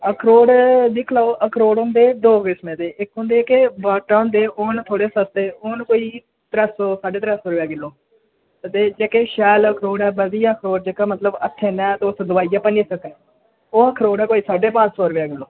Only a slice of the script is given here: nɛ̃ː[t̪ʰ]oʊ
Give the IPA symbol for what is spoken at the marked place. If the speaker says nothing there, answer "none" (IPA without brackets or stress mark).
t̪